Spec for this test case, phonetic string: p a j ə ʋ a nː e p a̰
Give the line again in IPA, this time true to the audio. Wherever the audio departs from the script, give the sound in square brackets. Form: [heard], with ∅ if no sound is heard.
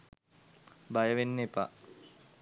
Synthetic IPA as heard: [b] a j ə ʋ [e] nː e p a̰